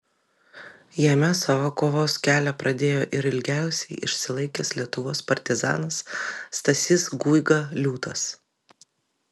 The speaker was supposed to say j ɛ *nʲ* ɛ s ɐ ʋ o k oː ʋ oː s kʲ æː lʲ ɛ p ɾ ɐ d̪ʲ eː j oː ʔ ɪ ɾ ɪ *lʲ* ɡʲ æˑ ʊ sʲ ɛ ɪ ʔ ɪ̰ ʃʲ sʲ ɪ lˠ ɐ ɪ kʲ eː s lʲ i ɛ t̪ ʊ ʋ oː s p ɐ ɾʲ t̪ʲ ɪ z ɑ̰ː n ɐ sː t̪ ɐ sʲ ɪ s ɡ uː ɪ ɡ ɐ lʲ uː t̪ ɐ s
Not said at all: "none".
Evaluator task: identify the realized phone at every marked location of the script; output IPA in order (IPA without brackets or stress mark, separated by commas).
mʲ, lʲ